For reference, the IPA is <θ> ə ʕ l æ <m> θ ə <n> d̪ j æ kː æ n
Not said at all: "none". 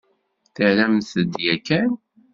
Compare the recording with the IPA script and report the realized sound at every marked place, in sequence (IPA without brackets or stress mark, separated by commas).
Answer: θ, m, none